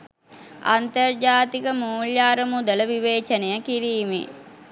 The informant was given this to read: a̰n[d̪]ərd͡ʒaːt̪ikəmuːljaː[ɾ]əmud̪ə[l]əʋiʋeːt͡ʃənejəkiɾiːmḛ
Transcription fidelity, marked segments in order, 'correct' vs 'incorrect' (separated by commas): incorrect, correct, correct